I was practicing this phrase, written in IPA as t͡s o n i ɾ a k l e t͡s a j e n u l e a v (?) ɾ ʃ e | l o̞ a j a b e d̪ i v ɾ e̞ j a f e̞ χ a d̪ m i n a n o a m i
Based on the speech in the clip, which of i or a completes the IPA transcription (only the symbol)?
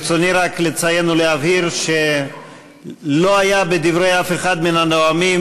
i